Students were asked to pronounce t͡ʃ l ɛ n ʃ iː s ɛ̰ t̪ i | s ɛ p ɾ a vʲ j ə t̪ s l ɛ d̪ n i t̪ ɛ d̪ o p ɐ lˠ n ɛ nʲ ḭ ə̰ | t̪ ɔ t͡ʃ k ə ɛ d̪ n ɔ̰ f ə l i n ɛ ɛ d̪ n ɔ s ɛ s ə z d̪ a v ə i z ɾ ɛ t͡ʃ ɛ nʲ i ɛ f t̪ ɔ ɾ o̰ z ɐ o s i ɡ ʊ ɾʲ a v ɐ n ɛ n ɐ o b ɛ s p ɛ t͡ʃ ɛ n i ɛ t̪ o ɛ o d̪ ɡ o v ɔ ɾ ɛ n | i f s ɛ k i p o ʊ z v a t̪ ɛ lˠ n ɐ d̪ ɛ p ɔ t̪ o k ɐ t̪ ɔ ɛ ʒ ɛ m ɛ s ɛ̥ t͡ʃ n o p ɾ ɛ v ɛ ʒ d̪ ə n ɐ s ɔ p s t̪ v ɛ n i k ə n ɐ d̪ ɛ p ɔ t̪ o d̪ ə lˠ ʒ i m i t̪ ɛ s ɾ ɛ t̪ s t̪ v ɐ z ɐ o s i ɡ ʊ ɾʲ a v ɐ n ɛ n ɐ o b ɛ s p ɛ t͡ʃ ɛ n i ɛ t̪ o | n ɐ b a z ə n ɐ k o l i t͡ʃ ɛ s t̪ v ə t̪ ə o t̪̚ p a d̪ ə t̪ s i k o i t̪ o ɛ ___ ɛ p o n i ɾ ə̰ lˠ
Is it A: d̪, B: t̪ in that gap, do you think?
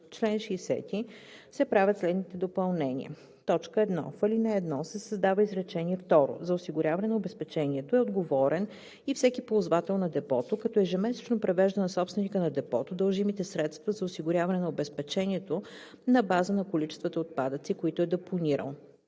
A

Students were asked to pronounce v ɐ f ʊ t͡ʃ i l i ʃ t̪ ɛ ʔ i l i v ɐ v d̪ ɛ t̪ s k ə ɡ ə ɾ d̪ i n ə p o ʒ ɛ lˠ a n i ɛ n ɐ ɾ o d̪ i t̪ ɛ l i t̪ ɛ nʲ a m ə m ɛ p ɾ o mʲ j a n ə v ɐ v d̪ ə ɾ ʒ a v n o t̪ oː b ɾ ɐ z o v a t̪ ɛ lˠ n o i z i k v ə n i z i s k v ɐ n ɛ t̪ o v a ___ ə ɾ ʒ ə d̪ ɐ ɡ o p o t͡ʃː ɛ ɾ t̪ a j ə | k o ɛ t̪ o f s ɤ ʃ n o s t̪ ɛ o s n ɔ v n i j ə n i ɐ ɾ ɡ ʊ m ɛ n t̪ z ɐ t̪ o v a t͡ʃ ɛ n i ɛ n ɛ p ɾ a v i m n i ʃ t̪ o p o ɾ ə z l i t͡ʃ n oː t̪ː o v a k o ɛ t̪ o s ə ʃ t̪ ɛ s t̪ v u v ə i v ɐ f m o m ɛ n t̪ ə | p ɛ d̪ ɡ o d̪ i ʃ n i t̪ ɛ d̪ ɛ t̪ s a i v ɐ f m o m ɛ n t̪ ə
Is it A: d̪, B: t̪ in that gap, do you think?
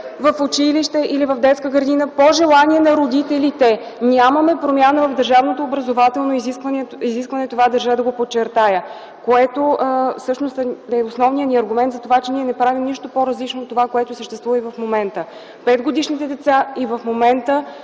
A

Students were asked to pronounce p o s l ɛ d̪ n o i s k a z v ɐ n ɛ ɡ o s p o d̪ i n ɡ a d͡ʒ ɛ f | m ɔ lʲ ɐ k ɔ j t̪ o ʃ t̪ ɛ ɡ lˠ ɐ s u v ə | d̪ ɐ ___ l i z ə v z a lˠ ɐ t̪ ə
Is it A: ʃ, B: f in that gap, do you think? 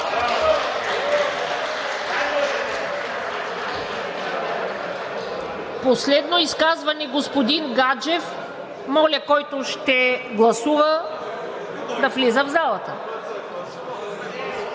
B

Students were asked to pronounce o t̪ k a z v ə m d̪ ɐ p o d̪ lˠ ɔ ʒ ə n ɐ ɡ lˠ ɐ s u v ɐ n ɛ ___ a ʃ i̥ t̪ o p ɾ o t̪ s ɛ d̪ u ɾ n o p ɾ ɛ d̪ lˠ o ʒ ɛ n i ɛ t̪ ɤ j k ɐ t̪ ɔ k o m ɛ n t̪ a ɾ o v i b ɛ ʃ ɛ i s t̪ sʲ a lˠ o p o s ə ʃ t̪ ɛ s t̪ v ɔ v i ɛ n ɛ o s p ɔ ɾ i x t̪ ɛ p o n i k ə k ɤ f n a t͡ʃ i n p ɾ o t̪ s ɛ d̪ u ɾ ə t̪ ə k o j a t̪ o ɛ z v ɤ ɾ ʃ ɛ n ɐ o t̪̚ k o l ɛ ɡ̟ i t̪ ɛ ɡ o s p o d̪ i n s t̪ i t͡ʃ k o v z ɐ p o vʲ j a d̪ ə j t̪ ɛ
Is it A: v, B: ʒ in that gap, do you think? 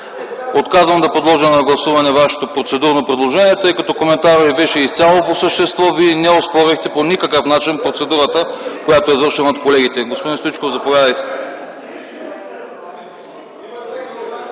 A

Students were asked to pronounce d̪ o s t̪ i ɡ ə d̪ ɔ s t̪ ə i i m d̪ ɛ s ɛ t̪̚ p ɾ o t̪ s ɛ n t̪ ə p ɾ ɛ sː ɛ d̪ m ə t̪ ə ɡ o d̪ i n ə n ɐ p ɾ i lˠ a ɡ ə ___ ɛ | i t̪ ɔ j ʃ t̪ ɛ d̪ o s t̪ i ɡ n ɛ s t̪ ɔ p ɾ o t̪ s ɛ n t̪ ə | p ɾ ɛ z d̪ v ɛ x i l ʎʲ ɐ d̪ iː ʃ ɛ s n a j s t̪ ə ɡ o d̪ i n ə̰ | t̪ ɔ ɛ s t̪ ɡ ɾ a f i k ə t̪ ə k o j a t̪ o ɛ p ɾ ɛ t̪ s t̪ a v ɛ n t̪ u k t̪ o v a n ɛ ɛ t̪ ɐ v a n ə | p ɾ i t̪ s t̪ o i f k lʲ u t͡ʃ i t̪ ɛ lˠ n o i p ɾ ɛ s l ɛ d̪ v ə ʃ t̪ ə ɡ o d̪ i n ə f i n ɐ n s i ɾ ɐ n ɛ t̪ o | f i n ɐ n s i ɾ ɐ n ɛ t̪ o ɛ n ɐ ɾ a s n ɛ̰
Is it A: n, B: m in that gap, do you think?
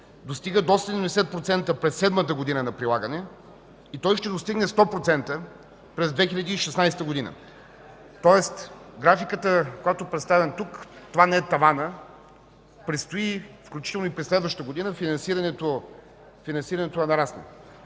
A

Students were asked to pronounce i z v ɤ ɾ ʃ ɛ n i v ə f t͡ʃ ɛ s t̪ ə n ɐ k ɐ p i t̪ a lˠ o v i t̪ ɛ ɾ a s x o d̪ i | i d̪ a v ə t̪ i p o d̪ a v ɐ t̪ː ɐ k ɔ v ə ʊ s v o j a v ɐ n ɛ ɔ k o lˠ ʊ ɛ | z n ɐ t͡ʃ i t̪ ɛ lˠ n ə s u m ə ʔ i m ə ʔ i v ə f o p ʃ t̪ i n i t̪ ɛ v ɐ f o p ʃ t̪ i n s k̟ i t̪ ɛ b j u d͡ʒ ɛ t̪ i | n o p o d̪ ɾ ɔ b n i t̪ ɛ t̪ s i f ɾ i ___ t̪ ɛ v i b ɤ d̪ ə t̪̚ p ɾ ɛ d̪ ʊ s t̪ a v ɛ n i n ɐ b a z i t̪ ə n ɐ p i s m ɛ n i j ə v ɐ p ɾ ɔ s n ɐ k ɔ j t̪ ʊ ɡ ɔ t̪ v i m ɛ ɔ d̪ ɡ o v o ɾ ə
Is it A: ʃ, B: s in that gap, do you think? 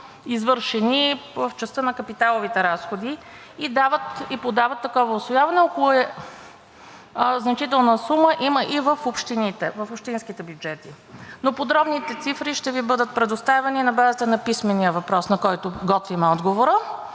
A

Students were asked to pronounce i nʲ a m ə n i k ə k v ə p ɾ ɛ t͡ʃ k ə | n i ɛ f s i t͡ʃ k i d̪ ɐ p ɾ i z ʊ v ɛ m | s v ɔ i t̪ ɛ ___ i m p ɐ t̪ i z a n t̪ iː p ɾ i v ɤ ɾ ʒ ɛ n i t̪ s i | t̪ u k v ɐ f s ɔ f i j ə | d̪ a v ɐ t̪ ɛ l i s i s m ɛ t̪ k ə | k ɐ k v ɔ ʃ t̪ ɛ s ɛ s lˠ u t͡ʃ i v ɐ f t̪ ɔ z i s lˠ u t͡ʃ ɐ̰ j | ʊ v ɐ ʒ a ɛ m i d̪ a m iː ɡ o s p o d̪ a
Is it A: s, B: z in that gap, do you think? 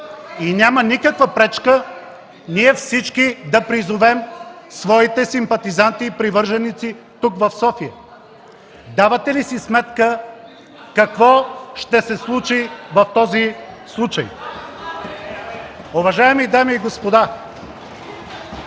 A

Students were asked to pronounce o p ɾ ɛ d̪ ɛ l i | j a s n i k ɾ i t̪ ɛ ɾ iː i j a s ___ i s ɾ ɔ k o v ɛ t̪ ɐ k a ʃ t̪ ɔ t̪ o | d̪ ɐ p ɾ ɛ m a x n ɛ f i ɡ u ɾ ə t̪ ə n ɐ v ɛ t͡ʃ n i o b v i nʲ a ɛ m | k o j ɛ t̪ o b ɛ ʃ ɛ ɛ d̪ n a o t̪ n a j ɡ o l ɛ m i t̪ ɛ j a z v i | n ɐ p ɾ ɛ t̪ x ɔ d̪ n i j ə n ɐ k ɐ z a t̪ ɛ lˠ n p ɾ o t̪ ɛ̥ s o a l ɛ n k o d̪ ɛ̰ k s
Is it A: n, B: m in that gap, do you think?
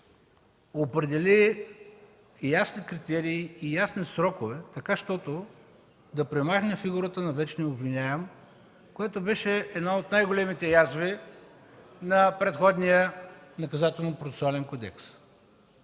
A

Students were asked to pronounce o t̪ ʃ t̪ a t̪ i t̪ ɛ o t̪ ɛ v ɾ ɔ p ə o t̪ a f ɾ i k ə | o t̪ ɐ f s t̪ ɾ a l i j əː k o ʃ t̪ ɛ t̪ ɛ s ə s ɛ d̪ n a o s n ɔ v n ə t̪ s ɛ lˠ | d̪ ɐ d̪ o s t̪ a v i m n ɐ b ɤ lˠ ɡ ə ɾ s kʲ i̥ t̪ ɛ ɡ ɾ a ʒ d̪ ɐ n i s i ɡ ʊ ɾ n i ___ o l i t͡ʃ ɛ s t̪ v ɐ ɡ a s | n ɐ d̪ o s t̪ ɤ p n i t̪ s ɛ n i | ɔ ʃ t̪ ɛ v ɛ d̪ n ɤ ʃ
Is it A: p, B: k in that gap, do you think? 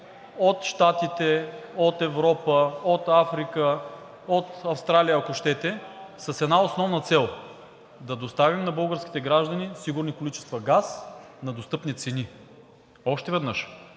B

